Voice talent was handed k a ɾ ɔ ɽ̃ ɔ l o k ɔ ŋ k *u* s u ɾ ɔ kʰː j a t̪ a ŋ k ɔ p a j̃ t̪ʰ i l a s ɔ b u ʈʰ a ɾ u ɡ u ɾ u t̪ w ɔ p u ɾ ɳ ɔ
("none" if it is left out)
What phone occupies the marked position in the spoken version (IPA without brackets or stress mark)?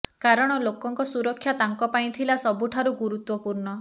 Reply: ɔ